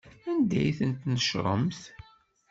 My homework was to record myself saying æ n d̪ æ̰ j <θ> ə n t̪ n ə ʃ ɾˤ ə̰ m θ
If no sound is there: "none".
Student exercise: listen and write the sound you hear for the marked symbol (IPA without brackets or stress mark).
θ